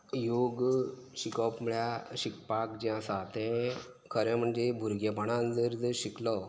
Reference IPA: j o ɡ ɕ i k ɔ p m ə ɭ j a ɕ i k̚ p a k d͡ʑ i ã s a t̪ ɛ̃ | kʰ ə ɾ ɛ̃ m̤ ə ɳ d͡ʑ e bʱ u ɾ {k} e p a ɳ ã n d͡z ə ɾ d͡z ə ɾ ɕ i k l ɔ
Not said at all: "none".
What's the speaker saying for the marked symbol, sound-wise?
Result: ɡ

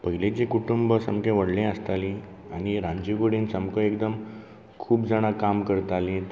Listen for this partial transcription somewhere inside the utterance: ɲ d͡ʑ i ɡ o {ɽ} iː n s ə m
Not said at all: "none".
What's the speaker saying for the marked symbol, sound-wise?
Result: ɽ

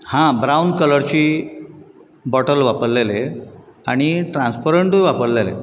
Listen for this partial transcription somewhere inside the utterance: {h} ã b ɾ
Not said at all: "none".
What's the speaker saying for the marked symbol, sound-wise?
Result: h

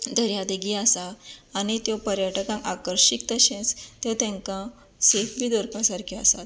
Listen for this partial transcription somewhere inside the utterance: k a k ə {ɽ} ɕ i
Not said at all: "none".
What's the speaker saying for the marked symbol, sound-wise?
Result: ɾ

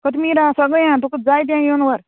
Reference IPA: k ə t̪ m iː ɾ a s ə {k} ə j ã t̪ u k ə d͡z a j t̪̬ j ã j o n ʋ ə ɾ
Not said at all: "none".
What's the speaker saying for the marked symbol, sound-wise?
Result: ɡ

